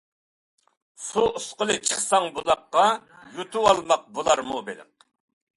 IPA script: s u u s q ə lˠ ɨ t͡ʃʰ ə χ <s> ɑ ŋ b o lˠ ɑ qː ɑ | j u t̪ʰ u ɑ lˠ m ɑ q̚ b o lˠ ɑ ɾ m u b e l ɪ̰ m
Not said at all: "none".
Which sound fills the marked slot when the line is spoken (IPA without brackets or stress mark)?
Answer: s